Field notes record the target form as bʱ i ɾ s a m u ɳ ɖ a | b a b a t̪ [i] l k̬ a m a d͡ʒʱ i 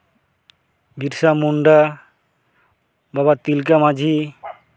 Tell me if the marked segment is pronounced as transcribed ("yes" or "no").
yes